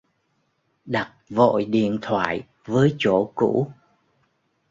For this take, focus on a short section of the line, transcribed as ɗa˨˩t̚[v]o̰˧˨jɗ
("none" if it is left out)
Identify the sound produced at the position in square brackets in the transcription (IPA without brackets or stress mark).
v